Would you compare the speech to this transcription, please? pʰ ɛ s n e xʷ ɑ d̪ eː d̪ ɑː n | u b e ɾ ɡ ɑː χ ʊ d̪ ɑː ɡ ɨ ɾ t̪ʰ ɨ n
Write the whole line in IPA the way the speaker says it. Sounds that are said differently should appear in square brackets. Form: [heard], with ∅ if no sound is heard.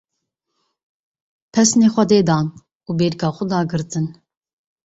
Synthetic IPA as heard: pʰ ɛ s n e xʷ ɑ d̪ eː d̪ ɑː n | u b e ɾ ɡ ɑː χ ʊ d̪ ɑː ɡ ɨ ɾ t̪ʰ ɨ n